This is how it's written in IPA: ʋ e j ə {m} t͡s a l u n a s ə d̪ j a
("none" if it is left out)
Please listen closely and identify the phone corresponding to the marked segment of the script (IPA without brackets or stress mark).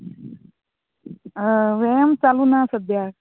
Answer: m